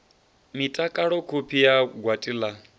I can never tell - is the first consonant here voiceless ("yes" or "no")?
no